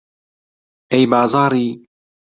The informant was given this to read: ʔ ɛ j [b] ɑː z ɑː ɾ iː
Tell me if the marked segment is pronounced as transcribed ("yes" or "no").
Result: yes